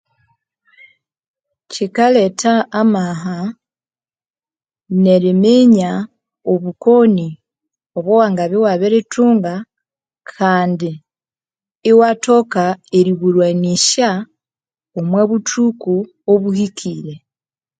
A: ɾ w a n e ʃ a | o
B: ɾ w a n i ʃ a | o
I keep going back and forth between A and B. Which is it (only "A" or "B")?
B